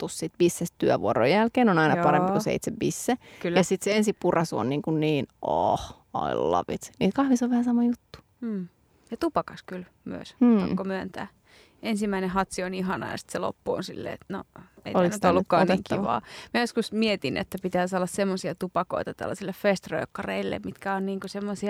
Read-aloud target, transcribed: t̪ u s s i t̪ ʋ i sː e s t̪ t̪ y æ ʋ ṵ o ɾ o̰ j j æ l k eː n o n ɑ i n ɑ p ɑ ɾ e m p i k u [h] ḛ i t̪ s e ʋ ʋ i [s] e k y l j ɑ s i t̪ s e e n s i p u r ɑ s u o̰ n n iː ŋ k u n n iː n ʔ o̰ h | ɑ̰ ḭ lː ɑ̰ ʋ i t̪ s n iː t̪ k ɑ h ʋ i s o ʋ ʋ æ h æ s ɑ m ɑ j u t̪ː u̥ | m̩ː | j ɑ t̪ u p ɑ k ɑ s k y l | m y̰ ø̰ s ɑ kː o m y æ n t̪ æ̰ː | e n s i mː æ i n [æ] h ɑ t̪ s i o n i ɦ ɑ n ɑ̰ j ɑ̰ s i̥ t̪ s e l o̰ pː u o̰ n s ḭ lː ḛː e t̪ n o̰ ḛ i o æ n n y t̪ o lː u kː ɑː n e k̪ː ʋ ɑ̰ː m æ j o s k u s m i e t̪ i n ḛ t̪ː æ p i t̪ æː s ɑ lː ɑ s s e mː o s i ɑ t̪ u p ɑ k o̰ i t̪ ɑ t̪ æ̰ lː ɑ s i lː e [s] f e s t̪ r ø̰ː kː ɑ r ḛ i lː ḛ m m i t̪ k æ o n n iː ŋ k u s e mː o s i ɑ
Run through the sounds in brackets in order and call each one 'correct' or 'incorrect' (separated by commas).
incorrect, incorrect, incorrect, incorrect